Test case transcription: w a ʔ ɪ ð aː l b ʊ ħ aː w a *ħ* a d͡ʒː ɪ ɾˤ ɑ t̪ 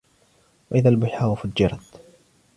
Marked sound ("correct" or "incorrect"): incorrect